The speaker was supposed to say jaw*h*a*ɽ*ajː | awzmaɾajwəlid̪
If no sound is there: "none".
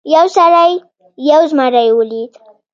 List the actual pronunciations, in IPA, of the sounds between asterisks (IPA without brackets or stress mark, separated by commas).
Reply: s, ɾ